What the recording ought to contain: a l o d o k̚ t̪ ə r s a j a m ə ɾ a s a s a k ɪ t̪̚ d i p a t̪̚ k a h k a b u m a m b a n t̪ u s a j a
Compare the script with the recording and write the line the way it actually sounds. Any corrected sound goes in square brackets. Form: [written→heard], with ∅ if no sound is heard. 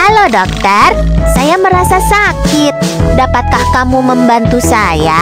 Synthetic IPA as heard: a l o d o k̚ t̪ ə r s a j a m ə ɾ a s a s a k ɪ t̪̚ d [i→a] p a t̪̚ k a h k a [b→m] u m [a→ə] m b a n t̪ u s a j a